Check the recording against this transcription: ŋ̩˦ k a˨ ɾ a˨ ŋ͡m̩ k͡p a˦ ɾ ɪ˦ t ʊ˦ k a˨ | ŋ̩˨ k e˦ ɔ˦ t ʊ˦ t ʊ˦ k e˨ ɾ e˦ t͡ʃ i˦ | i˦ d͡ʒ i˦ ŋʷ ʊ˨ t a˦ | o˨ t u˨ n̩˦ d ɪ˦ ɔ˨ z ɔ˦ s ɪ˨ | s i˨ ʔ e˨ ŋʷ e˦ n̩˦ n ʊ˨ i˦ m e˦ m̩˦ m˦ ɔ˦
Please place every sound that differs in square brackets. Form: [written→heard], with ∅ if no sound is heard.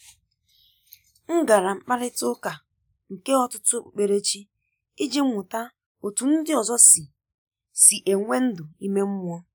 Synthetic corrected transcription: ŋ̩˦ [k→ɡ] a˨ ɾ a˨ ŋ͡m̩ k͡p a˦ ɾ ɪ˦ t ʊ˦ k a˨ | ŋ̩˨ k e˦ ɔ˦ t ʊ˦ t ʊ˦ [k→k͡p] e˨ ɾ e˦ t͡ʃ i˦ | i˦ d͡ʒ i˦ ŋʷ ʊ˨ t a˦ | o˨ t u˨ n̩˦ d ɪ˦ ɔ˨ z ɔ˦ s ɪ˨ | s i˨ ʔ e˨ ŋʷ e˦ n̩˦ [n→d] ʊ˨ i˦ m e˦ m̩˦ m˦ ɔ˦